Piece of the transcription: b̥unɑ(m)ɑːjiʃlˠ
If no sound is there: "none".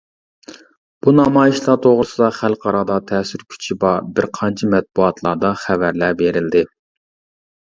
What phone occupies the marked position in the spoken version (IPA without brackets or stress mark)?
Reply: m